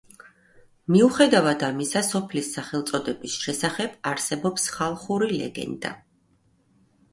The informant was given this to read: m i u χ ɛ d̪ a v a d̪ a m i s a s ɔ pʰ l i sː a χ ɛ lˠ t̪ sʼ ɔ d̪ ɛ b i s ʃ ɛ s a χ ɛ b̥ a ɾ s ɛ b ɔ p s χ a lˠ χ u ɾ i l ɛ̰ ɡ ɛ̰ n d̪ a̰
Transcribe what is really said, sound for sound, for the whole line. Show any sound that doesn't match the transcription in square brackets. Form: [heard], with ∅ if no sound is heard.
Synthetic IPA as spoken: m i u χ ɛ d̪ a v a d̪ a m i s a s ɔ pʰ l i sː a χ ɛ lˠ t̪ sʼ ɔ d̪ ɛ b i s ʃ ɛ s a χ ɛ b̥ a ɾ s ɛ b ɔ p s χ a lˠ χ u ɾ i l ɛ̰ ɡ ɛ̰ n d̪ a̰